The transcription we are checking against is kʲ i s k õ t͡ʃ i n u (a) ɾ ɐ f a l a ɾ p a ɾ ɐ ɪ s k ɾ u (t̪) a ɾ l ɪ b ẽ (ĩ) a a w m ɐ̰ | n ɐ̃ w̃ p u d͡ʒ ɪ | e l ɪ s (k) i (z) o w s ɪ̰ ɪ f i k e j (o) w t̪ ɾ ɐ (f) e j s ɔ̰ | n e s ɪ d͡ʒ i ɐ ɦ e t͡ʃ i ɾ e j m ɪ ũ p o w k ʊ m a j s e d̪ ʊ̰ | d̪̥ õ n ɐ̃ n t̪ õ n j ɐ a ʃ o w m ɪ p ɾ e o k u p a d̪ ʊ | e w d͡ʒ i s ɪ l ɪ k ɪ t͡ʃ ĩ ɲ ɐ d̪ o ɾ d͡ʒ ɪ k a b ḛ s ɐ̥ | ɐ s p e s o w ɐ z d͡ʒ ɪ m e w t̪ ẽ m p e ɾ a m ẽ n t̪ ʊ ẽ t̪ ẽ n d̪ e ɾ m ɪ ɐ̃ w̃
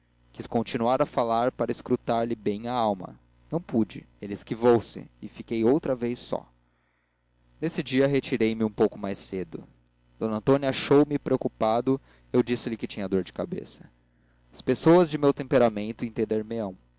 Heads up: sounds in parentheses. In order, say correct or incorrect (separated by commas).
correct, correct, incorrect, correct, incorrect, correct, incorrect